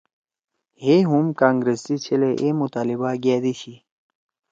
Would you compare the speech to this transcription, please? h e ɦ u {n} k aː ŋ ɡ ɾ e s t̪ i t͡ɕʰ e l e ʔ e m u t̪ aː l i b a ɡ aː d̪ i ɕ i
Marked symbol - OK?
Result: no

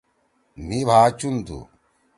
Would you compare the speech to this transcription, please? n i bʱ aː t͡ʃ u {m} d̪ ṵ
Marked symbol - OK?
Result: no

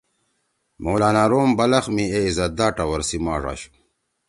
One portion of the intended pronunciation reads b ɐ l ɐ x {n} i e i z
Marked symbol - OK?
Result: no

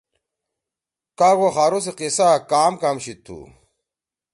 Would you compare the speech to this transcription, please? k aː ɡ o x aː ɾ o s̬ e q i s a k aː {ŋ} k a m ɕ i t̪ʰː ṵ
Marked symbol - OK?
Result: no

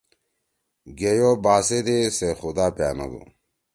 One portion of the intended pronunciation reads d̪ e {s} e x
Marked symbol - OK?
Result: yes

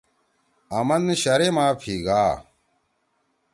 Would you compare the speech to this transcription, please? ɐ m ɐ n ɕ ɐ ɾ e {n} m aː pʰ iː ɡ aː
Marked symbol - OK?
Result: no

